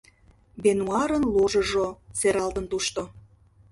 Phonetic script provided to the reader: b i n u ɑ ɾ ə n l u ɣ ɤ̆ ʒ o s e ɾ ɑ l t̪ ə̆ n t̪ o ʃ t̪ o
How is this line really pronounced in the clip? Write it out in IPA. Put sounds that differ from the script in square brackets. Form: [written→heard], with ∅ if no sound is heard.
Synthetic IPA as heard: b [i→e] n u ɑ ɾ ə n l u [ɣ→ʒ] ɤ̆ ʒ o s e ɾ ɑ l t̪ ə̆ n t̪ [o→u] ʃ t̪ o

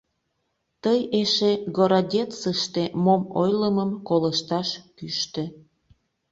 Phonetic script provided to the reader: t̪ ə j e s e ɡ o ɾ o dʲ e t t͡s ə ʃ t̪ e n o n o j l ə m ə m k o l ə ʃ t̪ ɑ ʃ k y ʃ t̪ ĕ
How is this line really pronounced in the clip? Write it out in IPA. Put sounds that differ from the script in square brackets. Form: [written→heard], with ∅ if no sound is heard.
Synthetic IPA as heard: t̪ ə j e [s→ʃ] e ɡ o ɾ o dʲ e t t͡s ə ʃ t̪ e [n→m] o [n→m] o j l ə m ə m k o l ə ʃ t̪ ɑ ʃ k y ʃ t̪ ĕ

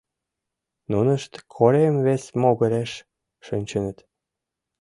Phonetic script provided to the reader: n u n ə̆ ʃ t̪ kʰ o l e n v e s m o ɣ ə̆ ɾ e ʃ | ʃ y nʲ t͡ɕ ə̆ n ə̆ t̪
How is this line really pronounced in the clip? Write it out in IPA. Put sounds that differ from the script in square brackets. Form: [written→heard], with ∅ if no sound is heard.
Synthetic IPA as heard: n u n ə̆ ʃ t̪ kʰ o [l→ɾ] e [n→m] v e s m o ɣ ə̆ ɾ e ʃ | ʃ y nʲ t͡ɕ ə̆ n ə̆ t̪

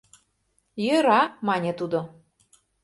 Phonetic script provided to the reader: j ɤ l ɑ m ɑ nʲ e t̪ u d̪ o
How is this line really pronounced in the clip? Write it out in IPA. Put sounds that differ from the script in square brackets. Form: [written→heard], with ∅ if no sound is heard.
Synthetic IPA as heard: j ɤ [l→ɾ] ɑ m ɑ nʲ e t̪ u d̪ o

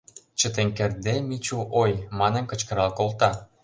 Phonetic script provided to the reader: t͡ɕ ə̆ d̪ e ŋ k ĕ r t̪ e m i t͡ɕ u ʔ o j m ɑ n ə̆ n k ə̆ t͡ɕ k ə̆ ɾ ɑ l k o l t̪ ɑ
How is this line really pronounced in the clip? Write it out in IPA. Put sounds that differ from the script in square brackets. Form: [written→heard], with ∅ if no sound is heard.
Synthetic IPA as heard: t͡ɕ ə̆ [d̪→t̪] e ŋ k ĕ r [t̪→d̪] e m i t͡ɕ u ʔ o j m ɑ n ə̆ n k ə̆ t͡ɕ k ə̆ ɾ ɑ l k o l t̪ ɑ

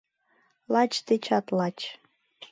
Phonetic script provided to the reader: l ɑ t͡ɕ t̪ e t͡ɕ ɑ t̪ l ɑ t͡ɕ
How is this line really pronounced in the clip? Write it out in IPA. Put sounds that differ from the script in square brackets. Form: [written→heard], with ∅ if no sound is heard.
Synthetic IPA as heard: l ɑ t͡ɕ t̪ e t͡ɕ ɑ t̪ l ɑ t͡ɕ

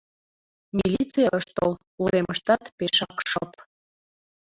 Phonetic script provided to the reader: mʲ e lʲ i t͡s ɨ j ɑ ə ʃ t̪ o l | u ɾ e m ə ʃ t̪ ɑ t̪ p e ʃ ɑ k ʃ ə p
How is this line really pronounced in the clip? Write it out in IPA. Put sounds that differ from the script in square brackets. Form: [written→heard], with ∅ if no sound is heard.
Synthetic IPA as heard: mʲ [e→i] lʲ i t͡s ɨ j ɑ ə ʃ t̪ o l | u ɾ e m ə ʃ t̪ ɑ t̪ p e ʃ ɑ k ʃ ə p

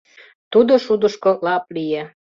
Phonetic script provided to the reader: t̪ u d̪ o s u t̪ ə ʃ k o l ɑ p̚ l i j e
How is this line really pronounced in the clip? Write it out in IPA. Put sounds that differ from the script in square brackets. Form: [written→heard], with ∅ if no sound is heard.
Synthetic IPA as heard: t̪ u d̪ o [s→ʃ] u [t̪→d̪] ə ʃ k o l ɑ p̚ l i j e

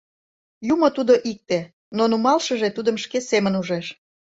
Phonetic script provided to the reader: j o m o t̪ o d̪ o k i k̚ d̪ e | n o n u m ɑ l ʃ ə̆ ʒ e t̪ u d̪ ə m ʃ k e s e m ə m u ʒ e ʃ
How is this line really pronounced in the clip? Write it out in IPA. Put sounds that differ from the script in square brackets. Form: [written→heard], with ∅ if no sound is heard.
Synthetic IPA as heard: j [o→u] m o t̪ [o→u] d̪ o [k→ʔ] i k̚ [d̪→t̪] e | n o n u m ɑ l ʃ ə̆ ʒ e t̪ u d̪ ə m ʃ k e s e m ə [m→n] u ʒ e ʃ

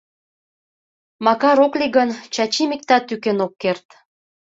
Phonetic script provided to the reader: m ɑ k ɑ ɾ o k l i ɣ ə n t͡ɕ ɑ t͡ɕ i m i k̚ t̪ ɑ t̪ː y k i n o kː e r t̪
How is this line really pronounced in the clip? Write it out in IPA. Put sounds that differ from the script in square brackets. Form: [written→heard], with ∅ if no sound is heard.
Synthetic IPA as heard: m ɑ k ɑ ɾ o k l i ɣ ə n t͡ɕ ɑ t͡ɕ i m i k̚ t̪ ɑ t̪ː y k [i→e] n o kː e r t̪

